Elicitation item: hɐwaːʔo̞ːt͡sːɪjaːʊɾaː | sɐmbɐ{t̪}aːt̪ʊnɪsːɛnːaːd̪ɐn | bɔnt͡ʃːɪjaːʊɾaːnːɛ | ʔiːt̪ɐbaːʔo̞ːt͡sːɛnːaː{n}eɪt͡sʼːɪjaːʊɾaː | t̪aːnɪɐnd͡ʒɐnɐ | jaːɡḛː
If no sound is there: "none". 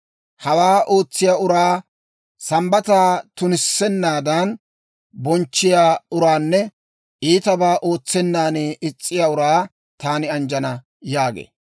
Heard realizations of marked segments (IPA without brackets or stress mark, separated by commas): t̪, n